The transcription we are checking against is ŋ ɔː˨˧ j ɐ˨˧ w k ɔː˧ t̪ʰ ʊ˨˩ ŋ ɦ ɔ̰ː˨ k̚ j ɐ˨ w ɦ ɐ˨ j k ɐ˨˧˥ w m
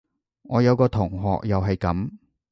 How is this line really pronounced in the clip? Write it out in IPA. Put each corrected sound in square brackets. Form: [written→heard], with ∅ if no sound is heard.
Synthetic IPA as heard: ŋ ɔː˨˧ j ɐ˨˧ w k ɔː˧ t̪ʰ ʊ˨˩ ŋ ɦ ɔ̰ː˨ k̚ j ɐ˨ w ɦ ɐ˨ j k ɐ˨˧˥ [w→∅] m